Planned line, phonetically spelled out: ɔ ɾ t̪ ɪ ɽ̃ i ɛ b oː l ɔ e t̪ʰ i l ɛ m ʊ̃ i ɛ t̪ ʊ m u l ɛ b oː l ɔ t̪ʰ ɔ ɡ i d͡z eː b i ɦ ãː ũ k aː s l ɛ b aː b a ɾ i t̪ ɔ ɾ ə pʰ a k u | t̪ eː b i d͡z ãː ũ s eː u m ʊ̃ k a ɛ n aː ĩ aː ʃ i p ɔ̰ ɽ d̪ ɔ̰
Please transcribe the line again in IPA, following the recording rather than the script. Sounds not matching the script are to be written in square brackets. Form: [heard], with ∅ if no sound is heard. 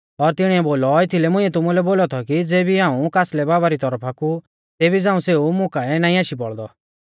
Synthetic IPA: ɔ ɾ t̪ ɪ ɽ̃ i ɛ b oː l ɔ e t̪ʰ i l ɛ m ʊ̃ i ɛ t̪ ʊ m u l ɛ b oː l ɔ t̪ʰ ɔ [k] i d͡z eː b i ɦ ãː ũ k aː s l ɛ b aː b a ɾ i t̪ ɔ ɾ ə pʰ a k u | t̪ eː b i d͡z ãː ũ s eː u m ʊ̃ k a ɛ n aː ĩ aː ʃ i p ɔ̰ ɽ d̪ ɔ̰

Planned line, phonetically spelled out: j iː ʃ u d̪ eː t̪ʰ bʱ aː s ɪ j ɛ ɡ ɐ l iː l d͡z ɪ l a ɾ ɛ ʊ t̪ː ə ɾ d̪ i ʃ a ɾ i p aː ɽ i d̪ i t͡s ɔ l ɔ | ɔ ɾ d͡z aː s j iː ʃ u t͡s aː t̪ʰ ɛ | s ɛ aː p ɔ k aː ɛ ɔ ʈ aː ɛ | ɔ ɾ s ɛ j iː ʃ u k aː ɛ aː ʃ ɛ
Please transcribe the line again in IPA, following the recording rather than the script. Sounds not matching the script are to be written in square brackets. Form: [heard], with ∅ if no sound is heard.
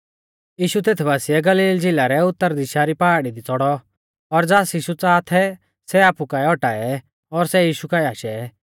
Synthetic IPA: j iː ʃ u [t̪] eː t̪ʰ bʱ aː s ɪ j ɛ ɡ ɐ l iː l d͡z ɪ l a ɾ ɛ ʊ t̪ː ə ɾ d̪ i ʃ a ɾ i p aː ɽ i d̪ i t͡s ɔ [ɽ] ɔ | ɔ ɾ d͡z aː s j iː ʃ u t͡s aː t̪ʰ ɛ | s ɛ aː p [u] k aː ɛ ɔ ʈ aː ɛ | ɔ ɾ s ɛ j iː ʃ u k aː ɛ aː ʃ ɛ

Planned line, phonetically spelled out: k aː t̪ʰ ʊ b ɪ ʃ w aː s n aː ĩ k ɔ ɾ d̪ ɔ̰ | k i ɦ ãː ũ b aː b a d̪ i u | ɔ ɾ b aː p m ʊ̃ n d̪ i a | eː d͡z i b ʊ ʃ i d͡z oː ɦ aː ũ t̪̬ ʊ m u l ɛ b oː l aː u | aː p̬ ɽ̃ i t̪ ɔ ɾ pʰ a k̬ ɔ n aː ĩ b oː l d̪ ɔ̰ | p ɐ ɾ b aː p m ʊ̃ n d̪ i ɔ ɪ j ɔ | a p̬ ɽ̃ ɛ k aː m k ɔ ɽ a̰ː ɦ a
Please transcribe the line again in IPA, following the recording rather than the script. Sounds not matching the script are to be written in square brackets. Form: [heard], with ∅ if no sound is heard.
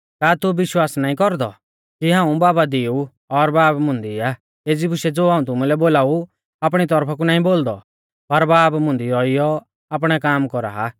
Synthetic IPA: k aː [t̪] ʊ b ɪ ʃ w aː s n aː ĩ k ɔ ɾ d̪ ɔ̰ | k i ɦ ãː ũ b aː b a d̪ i u | ɔ ɾ b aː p m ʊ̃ n d̪ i a | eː d͡z i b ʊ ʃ [ɛ] d͡z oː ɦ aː ũ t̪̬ ʊ m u l ɛ b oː l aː u | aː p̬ ɽ̃ i t̪ ɔ ɾ pʰ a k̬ [u] n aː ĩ b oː l d̪ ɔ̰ | p ɐ ɾ b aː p m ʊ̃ n d̪ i ɔ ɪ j ɔ | a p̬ ɽ̃ ɛ k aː m k ɔ [ɾ] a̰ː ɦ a

